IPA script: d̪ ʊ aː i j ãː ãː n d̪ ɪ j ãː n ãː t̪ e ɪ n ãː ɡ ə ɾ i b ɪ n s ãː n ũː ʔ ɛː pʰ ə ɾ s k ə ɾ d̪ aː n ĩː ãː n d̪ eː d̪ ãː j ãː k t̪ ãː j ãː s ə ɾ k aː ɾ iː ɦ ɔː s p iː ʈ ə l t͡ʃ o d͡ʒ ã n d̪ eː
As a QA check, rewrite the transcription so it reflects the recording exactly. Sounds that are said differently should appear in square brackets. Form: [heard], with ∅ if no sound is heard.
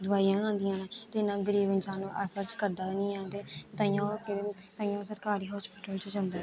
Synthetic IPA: d̪ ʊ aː i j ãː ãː n d̪ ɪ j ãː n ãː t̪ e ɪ n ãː ɡ ə ɾ [iː] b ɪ n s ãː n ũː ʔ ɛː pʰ ə ɾ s k ə ɾ d̪ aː n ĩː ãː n d̪ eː [t̪] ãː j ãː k t̪ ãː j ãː s ə ɾ k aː ɾ iː ɦ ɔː s p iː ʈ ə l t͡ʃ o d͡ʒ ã n d̪ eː